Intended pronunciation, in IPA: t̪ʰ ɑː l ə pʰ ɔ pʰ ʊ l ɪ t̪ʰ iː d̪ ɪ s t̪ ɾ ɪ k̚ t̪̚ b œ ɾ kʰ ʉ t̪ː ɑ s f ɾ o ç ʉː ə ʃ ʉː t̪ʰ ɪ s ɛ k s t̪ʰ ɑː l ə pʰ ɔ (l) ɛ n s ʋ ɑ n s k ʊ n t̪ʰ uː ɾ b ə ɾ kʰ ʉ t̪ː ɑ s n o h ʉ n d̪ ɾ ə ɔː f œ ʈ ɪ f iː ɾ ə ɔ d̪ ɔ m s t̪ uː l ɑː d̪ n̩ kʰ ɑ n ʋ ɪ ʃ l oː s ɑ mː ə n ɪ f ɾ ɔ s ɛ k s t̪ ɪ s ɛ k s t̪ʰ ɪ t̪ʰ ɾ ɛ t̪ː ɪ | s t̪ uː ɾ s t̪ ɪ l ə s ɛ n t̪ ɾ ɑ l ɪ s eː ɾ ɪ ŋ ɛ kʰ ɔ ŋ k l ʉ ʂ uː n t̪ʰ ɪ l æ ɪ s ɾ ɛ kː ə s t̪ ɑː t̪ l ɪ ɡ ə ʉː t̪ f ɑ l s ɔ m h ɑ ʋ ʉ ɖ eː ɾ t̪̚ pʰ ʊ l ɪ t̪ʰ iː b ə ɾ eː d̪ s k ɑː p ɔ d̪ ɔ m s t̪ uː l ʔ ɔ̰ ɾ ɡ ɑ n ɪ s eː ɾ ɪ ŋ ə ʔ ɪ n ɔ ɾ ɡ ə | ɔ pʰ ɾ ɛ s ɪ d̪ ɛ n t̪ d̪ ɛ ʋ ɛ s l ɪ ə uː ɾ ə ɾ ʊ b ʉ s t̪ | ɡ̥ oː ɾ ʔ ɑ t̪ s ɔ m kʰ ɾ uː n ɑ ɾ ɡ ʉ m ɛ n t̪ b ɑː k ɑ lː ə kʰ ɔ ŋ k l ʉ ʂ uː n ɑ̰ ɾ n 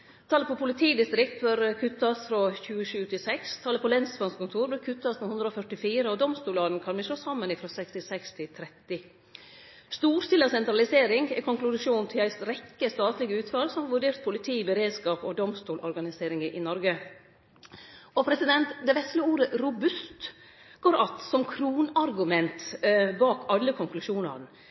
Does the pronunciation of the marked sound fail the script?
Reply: no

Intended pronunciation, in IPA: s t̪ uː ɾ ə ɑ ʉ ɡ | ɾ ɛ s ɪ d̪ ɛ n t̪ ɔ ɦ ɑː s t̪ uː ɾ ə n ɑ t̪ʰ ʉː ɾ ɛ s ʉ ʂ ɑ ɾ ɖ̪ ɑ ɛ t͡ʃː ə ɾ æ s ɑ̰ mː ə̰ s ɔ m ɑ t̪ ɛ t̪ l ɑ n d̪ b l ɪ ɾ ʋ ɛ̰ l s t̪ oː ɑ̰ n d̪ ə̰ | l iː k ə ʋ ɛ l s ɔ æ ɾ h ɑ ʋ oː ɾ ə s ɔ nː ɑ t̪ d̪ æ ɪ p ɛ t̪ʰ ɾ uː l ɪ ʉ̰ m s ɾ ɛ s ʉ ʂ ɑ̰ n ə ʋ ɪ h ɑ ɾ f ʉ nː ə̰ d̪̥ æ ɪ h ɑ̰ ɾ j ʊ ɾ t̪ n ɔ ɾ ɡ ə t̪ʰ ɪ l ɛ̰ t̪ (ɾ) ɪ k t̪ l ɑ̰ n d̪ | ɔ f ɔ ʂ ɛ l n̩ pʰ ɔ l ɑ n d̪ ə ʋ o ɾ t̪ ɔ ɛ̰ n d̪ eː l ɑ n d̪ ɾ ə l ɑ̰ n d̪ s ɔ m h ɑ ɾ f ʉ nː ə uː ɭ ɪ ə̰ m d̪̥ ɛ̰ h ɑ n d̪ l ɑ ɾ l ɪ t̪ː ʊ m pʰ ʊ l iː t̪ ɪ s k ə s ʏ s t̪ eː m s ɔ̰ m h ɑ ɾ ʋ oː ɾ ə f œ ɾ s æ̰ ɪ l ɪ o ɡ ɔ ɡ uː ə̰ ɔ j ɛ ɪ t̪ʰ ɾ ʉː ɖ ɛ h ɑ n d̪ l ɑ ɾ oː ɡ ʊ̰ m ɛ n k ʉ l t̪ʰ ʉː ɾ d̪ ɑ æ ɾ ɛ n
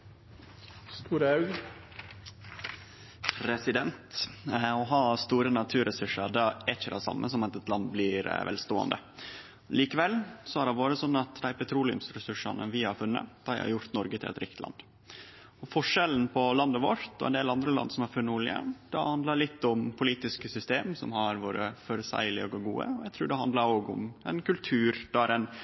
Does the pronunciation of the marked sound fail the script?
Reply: no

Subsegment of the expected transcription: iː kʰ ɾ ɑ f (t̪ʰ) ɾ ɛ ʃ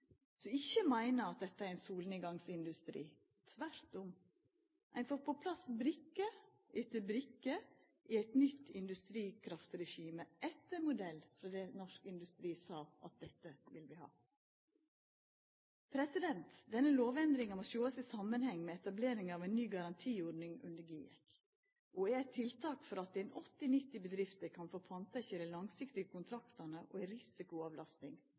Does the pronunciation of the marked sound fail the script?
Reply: yes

